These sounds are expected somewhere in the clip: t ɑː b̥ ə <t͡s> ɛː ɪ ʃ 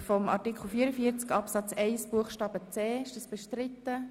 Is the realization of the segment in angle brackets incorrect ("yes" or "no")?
no